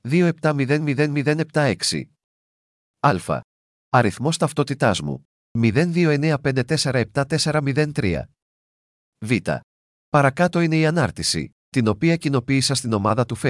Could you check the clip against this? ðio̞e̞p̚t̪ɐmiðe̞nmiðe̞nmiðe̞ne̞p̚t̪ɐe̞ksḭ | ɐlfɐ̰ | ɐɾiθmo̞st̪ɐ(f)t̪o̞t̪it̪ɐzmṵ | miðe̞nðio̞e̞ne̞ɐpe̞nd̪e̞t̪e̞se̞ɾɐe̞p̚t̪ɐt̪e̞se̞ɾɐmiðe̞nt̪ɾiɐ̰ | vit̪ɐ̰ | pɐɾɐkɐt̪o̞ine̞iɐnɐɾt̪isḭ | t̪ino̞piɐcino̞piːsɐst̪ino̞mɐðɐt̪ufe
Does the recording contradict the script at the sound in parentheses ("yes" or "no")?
no